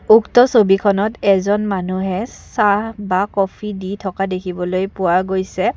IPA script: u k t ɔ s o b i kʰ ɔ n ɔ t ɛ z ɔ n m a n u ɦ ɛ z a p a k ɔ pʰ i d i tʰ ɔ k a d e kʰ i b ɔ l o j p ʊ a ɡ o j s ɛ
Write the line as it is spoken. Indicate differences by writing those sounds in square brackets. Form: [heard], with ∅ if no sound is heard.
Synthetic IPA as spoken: u k t ɔ s o b i kʰ ɔ n ɔ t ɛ z ɔ n m a n u ɦ ɛ [s] a [b] a k ɔ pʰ i d i tʰ ɔ k a d e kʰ i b ɔ l o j p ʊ a ɡ o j s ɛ

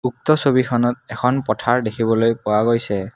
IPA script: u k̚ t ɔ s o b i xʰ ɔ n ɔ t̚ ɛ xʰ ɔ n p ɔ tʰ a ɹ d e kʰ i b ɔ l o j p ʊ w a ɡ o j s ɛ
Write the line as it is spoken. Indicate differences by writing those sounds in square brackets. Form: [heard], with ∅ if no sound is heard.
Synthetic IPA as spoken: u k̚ t ɔ s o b i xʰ ɔ n ɔ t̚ ɛ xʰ ɔ n p ɔ tʰ a ɹ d e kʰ i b ɔ l o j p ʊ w a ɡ o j s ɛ

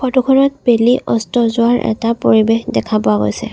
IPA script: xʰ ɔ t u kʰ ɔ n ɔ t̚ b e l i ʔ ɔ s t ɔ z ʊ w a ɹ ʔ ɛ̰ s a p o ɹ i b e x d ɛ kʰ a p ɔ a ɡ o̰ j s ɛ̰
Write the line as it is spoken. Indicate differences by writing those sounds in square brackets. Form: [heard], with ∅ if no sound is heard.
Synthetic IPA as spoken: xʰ ɔ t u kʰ ɔ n ɔ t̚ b e l i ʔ ɔ s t ɔ z ʊ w a ɹ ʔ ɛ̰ [t] a p o ɹ i b e x d ɛ kʰ a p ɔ a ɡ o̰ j s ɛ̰

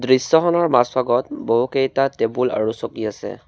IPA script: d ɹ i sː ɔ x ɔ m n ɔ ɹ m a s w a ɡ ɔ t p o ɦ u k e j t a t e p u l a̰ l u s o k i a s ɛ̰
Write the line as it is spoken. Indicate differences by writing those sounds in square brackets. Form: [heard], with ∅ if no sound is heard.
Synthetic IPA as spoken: d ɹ i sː ɔ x ɔ [∅] n ɔ ɹ m a s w a ɡ ɔ t [b] o ɦ u k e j t a t e [b] u l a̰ [ɹ] u s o k i a s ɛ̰

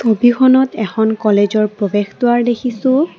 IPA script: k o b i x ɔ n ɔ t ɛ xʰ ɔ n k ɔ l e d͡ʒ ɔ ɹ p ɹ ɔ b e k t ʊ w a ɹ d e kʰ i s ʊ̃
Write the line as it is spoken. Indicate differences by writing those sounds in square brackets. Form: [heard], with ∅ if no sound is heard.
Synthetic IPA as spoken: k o b i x ɔ n ɔ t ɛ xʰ ɔ n k ɔ l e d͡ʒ ɔ ɹ p ɹ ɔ b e [x] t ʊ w a ɹ d e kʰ i s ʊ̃

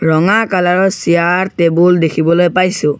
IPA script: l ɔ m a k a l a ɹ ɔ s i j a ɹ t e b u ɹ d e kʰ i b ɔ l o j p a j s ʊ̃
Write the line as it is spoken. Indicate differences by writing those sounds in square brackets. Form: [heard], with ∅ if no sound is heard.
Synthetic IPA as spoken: [ɹ] ɔ [ŋ] a k a l a ɹ ɔ s i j a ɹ t e b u [l] d e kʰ i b ɔ l o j p a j s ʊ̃

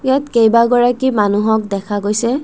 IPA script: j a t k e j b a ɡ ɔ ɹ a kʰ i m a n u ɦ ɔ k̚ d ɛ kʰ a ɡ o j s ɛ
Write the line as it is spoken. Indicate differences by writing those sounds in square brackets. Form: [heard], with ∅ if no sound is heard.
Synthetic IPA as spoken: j a t k e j b a ɡ ɔ ɹ a [k] i m a n u ɦ ɔ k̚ d ɛ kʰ a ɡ o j s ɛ

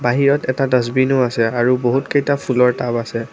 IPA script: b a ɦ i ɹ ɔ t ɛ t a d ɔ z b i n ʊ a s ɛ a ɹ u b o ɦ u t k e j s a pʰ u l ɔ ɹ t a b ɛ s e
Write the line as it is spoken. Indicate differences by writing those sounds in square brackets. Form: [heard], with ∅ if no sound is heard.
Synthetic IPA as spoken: b a ɦ i ɹ ɔ t ɛ t a d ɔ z b i n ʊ a s ɛ a ɹ u b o ɦ u t k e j [t] a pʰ u l ɔ ɹ t a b [a] s [ɛ]

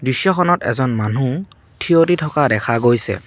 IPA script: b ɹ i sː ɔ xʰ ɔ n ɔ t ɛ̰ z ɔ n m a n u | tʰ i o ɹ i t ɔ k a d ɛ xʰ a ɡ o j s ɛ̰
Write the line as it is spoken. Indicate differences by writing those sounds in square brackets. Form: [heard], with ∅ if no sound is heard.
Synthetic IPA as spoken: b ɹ i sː ɔ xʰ ɔ n ɔ t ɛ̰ z ɔ n m a n u | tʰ i o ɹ i [tʰ] ɔ k a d ɛ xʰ a ɡ o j s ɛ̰

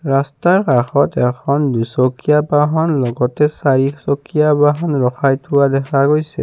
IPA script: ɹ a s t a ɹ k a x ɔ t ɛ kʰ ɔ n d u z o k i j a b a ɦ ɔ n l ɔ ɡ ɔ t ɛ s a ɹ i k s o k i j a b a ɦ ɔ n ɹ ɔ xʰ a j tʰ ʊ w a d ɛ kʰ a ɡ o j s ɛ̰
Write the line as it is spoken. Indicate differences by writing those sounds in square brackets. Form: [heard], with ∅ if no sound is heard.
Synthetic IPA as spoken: ɹ a s t a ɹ k a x ɔ t ɛ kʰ ɔ n d u [s] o k i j a b a ɦ ɔ n l ɔ ɡ ɔ t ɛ s a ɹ i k s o k i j a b a ɦ ɔ n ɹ ɔ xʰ a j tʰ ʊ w a d ɛ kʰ a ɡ o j s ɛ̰

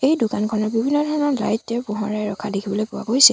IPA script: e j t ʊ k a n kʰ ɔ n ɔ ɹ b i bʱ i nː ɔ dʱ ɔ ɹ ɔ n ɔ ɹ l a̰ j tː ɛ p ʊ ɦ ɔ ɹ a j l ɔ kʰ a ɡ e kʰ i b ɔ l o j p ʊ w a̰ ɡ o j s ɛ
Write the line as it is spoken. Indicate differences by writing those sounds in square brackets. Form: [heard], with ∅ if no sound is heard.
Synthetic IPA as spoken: e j [d] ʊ k a n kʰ ɔ n ɔ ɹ b i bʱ i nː ɔ dʱ ɔ ɹ ɔ n ɔ ɹ l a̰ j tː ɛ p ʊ ɦ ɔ ɹ a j [ɹ] ɔ kʰ a [d] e kʰ i b ɔ l o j p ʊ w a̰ ɡ o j s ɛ

